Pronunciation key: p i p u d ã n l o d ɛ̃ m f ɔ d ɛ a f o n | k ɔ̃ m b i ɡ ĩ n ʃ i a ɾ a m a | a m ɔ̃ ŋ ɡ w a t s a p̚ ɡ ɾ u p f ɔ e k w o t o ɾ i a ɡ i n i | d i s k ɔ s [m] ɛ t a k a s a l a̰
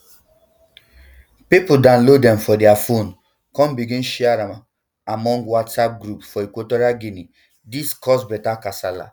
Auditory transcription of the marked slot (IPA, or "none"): b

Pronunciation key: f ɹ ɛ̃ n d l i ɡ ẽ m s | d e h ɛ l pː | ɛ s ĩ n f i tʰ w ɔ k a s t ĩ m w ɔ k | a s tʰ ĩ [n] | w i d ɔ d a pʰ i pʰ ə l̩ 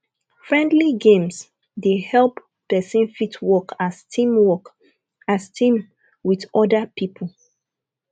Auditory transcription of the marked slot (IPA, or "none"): m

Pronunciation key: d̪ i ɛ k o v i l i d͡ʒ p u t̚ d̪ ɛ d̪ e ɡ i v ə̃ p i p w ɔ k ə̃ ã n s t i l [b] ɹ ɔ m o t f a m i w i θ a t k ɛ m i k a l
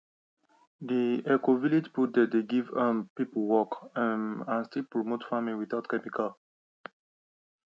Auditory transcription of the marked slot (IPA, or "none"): p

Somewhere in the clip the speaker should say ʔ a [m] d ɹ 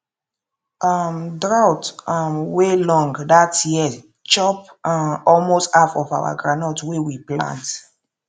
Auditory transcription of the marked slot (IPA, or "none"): m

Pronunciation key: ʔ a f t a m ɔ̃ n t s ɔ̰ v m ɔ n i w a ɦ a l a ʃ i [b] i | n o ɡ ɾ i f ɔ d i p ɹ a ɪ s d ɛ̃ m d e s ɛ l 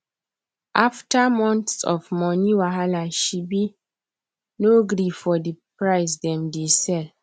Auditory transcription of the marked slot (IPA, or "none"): b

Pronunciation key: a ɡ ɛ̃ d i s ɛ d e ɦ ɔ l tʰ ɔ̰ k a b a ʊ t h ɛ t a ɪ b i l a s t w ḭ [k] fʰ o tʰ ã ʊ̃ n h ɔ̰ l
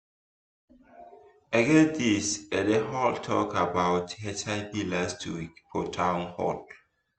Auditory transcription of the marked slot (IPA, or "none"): k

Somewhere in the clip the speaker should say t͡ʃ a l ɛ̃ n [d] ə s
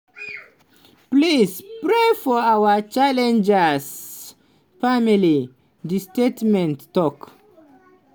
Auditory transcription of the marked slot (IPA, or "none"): d͡ʒ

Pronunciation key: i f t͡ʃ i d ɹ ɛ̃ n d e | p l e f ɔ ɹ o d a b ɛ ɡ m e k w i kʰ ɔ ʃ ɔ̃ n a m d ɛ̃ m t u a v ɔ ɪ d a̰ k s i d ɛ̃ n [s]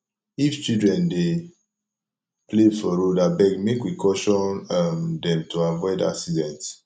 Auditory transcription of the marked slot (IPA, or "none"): t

